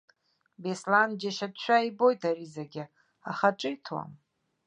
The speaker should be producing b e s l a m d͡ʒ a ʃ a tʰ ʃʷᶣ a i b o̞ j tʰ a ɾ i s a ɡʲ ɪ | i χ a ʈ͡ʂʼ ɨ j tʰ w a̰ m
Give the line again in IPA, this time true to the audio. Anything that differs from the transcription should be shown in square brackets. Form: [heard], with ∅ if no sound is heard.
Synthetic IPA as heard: b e s l a [n] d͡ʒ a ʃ a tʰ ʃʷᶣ a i b o̞ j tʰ a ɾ i [z] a ɡʲ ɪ | [a] χ a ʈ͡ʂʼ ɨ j tʰ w a̰ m